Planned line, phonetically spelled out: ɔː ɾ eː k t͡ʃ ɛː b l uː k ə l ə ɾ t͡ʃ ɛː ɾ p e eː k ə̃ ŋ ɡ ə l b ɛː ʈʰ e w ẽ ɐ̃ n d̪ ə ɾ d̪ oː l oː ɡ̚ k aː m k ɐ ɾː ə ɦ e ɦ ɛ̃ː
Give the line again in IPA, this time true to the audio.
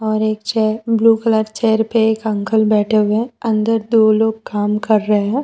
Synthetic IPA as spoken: ɔː ɾ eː k t͡ʃ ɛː b l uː k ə l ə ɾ t͡ʃ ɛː ɾ p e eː k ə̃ ŋ k ə l b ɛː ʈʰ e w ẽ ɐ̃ n d̪ ə ɾ d̪ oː l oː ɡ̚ k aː m k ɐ ɾː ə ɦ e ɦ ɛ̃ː

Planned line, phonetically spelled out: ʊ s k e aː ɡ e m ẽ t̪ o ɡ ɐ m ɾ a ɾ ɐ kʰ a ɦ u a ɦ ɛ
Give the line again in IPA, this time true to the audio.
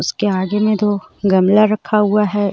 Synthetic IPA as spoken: ʊ s k e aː ɡ e m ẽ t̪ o ɡ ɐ m l a ɾ ɐ kʰ a ɦ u a ɦ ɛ

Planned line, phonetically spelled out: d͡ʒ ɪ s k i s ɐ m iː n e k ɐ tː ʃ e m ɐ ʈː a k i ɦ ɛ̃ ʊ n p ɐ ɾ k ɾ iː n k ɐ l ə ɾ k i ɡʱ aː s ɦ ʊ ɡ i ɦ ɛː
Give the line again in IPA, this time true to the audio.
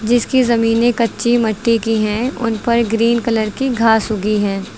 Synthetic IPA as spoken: d͡ʒ ɪ s k i z ɐ m iː n e k ɐ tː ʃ i m ɐ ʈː i k i ɦ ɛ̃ ʊ n p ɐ ɾ ɡ ɾ iː n k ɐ l ə ɾ k i ɡʱ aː s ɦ ʊ ɡ i ɦ ɛː

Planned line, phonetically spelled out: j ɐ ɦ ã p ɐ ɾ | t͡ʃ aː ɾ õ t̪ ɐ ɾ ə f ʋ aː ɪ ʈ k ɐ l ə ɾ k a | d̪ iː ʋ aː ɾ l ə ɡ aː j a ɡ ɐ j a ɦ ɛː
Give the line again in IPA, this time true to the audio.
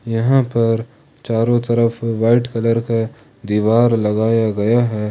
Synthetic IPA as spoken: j ɐ ɦ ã p ɐ ɾ | t͡ʃ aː ɾ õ t̪ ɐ ɾ ə f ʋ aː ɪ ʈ k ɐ l ə ɾ k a | d̪ iː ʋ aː ɾ l ɐ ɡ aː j a ɡ ɐ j a ɦ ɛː

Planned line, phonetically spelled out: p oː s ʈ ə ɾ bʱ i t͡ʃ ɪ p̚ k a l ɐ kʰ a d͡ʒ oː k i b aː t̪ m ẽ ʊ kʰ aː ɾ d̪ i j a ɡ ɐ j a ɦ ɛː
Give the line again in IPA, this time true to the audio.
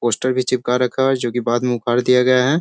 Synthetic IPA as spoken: p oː s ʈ ə ɾ bʱ i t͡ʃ ɪ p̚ k a ɾ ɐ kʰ a d͡ʒ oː k i b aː d̪ m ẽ ʊ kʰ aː ɾ d̪ i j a ɡ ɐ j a ɦ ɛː

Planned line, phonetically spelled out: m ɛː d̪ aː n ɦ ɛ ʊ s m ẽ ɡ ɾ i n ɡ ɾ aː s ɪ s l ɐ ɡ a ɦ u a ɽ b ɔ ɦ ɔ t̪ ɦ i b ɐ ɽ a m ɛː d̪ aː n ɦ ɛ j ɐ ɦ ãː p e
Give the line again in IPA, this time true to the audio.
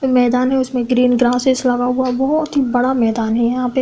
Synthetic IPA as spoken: m ɛː d̪ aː n ɦ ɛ ʊ s m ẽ ɡ ɾ iː n ɡ ɾ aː s ɪ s l ɐ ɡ a ɦ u a b ɔ ɦ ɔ t̪ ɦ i b ɐ ɽ a m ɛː d̪ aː n ɦ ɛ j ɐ ɦ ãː p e

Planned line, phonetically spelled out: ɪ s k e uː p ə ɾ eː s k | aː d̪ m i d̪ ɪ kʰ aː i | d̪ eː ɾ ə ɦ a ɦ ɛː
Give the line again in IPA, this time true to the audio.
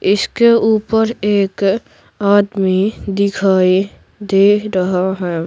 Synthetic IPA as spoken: ɪ s k e uː p ə ɾ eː k | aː d̪ m i d̪ ɪ kʰ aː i | d̪ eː ɾ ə ɦ a ɦ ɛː

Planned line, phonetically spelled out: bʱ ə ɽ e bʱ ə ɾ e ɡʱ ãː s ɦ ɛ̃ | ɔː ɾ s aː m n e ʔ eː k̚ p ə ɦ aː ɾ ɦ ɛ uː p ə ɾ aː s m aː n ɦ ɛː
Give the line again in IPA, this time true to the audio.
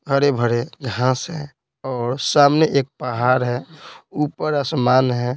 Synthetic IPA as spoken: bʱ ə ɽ e bʱ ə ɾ e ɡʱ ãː s ɦ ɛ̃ | ɔː ɾ s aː m n e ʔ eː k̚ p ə ɦ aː ɾ ɦ ɛ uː p ə ɾ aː s m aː n ɦ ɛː

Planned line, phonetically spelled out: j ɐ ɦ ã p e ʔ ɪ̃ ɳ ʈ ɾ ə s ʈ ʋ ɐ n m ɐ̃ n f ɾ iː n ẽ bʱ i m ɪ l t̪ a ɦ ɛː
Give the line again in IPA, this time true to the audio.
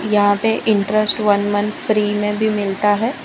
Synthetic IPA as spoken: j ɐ ɦ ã p e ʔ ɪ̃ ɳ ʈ ɾ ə s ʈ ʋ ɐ n m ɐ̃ n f ɾ iː m ẽ bʱ i m ɪ l t̪ a ɦ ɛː

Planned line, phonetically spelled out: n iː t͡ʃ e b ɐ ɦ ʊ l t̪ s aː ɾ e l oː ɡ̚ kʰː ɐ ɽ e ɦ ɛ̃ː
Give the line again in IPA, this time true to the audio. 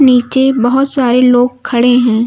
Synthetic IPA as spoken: n iː t͡ʃ e b ɐ ɦ ʊ t̪ s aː ɾ e l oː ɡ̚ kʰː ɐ ɽ e ɦ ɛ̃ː

